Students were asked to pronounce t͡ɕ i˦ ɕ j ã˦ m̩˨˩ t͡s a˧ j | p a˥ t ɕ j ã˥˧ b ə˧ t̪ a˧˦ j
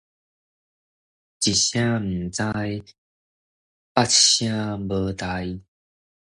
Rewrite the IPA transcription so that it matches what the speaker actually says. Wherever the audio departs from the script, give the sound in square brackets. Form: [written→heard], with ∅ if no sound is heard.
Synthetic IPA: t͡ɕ [i˦→i˨˩] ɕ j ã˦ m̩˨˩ t͡s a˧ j | p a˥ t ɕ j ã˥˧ b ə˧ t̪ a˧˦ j